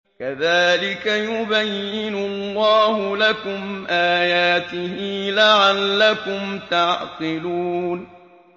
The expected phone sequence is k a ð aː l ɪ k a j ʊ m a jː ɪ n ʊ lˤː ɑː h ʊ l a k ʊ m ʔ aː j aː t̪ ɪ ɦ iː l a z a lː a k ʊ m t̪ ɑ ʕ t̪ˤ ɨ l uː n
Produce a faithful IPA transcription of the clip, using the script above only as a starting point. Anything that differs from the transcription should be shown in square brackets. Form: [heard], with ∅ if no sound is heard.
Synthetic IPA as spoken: k a ð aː l ɪ k a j ʊ [b] a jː ɪ n ʊ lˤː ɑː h ʊ l a k ʊ m ʔ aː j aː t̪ ɪ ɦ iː l a [ʕ] a lː a k ʊ m t̪ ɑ ʕ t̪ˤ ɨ l uː n